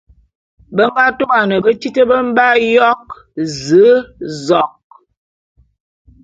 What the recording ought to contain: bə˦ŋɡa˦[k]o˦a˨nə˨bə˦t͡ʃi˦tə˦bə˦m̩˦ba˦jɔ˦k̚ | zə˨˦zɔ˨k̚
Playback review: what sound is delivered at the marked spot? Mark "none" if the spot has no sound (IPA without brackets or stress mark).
t